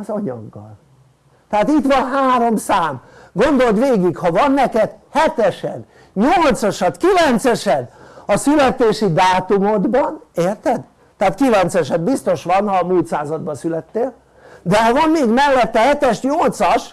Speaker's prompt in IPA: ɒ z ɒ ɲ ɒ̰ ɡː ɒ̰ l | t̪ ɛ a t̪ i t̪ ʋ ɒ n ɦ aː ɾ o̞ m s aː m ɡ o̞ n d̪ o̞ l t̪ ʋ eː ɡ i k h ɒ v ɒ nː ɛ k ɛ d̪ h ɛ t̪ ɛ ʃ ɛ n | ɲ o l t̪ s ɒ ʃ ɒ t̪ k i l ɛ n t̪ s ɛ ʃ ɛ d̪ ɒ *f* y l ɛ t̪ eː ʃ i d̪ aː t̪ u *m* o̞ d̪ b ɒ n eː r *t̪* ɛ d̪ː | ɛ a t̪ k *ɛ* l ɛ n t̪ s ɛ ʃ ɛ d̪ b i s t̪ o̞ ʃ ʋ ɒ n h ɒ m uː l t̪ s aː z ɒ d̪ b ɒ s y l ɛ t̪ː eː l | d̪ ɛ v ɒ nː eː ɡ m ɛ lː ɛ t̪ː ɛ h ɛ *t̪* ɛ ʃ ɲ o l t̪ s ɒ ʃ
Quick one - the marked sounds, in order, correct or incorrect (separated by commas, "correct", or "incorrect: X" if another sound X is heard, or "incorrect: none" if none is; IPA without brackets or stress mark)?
incorrect: s, correct, correct, incorrect: i, correct